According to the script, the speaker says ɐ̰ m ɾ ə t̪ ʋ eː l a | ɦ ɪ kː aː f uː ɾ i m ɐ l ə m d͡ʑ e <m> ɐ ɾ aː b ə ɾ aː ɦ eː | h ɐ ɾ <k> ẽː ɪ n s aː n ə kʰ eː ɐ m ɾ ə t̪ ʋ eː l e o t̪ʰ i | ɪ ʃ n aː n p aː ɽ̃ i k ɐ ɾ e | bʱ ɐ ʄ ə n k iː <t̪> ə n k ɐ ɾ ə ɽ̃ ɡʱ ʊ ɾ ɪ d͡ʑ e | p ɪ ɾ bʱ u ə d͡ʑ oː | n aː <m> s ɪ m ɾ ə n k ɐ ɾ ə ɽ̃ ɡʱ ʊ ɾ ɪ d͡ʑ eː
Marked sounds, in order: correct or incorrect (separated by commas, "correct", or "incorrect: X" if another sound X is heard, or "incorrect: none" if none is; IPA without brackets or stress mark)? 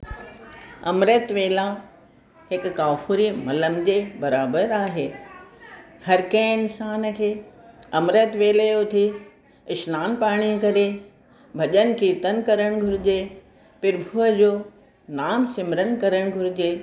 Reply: incorrect: b, correct, correct, correct